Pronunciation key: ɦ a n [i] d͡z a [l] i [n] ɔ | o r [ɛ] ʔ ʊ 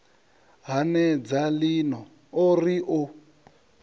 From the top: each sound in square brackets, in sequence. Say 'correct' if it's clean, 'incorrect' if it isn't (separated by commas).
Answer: incorrect, correct, correct, incorrect